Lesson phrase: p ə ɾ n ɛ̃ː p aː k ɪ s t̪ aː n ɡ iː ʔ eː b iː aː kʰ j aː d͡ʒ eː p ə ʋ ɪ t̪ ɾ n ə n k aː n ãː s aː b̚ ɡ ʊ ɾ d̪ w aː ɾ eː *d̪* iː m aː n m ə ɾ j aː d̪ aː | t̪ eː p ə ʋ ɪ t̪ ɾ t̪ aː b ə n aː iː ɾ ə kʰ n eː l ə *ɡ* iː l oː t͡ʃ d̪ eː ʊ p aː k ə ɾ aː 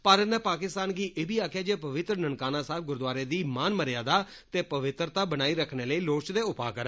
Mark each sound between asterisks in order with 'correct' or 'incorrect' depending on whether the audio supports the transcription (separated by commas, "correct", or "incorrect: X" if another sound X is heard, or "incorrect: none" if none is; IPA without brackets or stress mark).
correct, incorrect: none